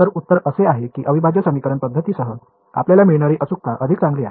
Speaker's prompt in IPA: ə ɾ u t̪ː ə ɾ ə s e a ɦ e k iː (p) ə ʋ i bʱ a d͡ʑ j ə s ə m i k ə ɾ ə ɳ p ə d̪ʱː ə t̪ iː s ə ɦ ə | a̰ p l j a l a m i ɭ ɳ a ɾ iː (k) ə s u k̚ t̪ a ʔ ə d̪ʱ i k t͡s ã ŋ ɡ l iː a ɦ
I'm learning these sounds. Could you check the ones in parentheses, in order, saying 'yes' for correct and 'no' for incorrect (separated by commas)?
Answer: no, no